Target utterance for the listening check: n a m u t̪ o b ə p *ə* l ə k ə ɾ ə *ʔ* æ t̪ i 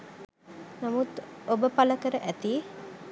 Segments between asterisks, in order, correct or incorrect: incorrect, correct

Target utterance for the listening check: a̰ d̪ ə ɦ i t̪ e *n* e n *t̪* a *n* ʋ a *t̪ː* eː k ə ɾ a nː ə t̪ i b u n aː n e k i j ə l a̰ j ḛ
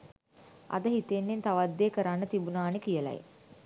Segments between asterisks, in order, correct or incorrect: incorrect, correct, incorrect, incorrect

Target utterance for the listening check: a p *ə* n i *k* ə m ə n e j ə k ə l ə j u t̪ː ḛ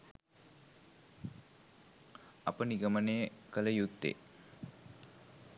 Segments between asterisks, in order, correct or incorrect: correct, incorrect

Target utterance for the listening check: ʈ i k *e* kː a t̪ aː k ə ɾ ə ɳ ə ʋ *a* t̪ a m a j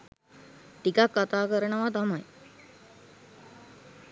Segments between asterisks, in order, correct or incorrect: incorrect, correct

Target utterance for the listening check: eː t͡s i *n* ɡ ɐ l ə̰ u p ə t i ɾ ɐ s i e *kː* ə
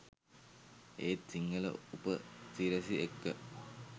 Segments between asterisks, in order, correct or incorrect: incorrect, correct

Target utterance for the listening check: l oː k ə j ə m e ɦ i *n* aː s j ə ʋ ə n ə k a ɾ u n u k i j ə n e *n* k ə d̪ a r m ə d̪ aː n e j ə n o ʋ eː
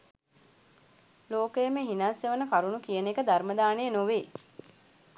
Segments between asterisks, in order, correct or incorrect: correct, incorrect

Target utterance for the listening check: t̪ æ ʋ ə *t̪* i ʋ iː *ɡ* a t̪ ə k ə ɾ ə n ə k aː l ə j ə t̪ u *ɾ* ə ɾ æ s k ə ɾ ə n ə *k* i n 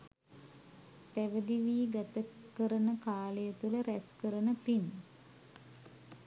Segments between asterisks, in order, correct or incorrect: incorrect, correct, incorrect, incorrect

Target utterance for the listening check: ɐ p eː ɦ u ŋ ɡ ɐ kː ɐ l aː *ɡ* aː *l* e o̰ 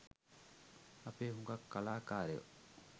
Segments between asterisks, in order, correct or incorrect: incorrect, incorrect

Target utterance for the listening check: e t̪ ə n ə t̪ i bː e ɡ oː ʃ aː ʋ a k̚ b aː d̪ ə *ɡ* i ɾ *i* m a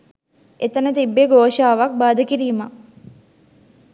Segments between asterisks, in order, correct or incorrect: incorrect, incorrect

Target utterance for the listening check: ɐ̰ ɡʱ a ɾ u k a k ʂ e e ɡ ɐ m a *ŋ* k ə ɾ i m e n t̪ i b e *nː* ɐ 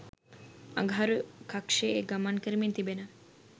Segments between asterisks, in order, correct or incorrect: incorrect, incorrect

